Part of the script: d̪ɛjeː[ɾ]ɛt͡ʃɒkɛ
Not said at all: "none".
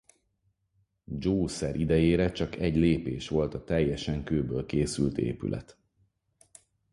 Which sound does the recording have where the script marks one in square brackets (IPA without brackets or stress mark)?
ɾ